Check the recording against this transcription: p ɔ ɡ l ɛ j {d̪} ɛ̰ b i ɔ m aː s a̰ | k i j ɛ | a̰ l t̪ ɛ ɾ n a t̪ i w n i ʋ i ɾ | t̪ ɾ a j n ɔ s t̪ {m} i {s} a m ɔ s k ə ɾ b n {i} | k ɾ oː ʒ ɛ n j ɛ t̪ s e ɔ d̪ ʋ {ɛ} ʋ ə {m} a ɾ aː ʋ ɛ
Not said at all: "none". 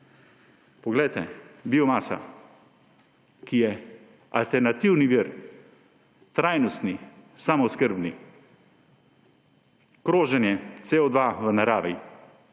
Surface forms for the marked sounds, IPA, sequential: t̪, n, s, i, a, n

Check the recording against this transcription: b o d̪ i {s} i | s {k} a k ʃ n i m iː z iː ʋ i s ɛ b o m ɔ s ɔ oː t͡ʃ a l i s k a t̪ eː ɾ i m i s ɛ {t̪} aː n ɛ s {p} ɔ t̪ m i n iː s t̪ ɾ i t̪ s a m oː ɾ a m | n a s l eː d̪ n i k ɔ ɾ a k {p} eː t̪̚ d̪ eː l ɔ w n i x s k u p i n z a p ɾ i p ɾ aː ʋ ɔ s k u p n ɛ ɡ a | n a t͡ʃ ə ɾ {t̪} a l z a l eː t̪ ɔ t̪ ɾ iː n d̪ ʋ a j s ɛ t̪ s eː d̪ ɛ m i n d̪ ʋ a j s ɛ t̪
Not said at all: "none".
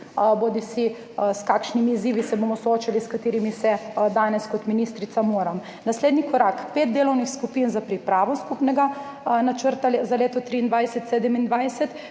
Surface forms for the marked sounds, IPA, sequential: s, k, d̪, k, p, t̪

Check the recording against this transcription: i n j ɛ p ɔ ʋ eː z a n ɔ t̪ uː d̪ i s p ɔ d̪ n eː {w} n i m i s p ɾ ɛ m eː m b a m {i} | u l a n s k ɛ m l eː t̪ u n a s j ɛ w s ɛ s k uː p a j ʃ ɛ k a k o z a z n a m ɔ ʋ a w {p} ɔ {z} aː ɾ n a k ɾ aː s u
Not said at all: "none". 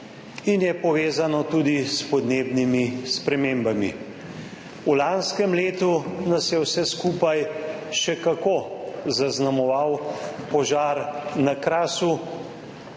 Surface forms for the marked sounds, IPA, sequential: b, i, p, ʒ

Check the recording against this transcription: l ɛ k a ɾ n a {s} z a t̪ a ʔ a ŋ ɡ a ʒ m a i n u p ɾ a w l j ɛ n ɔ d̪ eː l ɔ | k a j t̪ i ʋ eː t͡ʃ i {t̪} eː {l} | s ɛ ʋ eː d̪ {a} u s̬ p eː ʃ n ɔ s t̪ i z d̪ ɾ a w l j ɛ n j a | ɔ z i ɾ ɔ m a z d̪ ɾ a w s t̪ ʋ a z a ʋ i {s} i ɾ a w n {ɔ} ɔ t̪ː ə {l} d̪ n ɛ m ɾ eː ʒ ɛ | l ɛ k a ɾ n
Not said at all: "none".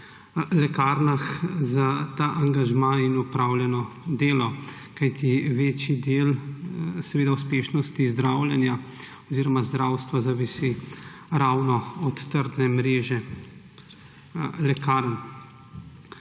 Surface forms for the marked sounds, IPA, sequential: x, d̪, l, a, s, ɔ, ɾ

